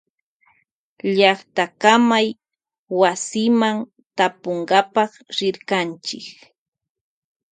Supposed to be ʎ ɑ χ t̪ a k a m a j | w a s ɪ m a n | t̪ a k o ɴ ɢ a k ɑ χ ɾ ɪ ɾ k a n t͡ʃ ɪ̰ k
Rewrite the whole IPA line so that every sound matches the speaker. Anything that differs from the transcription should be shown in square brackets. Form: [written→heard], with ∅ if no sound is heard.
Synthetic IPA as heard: ʎ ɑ χ t̪ a k a m a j | w a s ɪ m a n | t̪ a [k→p] o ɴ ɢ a [k→p] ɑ χ ɾ ɪ ɾ k a n t͡ʃ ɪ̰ k